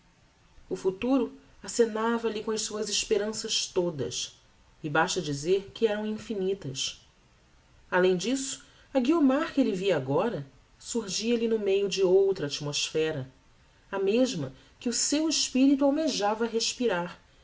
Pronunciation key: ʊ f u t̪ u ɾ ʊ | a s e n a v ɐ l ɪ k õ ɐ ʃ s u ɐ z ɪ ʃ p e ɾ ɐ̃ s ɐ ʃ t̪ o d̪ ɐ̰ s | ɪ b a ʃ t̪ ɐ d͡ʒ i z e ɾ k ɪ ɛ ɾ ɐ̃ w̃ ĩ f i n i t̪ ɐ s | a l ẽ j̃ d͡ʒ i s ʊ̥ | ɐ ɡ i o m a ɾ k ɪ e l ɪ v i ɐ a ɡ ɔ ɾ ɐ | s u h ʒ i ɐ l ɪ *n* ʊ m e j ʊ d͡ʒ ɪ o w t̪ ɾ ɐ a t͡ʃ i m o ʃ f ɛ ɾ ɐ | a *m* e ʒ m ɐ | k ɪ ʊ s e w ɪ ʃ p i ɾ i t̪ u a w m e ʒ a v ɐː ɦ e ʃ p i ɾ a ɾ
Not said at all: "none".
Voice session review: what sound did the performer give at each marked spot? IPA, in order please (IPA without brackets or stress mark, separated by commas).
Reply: n, m